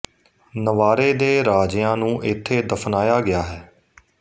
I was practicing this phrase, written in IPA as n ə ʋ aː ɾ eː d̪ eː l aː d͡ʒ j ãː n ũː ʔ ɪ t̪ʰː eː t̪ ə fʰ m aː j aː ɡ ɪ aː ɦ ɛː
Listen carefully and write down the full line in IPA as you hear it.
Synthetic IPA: n ə ʋ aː ɾ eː d̪ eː ɾ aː d͡ʒ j ãː n ũː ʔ ɪ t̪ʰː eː d̪ ə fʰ n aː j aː ɡ ɪ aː ɦ ɛː